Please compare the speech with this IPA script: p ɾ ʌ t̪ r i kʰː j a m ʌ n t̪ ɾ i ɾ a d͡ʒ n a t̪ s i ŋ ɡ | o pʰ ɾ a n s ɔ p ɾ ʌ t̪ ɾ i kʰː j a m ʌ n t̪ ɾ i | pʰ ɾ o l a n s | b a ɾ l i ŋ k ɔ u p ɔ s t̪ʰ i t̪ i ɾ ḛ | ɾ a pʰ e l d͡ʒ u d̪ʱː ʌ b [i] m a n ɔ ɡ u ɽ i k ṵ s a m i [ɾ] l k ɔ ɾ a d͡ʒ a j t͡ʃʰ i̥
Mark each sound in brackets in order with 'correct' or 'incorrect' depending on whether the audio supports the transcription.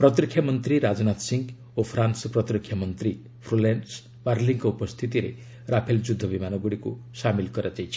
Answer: correct, incorrect: none

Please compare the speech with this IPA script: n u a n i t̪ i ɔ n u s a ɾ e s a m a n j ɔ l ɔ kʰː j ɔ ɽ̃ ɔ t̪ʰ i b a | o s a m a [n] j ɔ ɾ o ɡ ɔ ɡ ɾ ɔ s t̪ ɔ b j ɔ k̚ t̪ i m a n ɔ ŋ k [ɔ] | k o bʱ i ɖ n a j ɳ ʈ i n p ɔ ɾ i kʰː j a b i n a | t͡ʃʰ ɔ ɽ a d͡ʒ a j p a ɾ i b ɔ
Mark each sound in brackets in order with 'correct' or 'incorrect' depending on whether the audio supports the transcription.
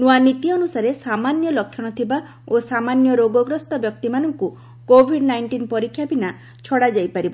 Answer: correct, incorrect: u

